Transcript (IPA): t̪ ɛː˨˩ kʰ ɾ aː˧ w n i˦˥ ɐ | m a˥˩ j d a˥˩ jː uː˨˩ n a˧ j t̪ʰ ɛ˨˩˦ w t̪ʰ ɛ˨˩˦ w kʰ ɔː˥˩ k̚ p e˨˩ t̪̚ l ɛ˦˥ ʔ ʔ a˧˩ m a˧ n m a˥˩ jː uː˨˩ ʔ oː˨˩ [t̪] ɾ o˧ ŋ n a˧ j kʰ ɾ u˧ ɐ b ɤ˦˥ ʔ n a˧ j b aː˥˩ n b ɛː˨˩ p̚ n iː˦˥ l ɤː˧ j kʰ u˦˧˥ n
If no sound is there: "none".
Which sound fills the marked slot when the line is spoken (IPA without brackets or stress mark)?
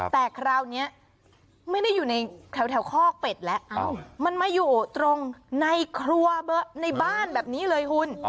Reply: t̪